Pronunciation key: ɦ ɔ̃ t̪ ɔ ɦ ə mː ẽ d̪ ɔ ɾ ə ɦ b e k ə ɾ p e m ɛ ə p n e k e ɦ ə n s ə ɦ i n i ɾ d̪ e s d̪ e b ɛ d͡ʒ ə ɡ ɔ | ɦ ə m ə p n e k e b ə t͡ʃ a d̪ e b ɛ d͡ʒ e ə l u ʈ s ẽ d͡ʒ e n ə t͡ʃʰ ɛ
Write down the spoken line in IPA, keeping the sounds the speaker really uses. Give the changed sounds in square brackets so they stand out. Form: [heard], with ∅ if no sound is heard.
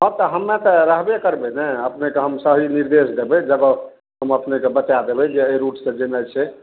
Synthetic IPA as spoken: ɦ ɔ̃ t̪ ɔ ɦ ə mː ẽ [t̪] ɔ ɾ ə ɦ b e k ə ɾ [b] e [n] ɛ ə p n e k e ɦ ə [m] s ə ɦ i n i ɾ d̪ e s d̪ e b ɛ d͡ʒ ə ɡ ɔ | ɦ ə m ə p n e k e b ə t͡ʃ a d̪ e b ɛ d͡ʒ e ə [ɾ] u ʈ s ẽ d͡ʒ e n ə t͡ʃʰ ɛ